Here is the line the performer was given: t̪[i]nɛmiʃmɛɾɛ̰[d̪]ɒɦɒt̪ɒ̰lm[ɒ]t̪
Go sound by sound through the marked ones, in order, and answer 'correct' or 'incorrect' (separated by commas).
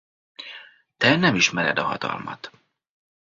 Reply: incorrect, correct, correct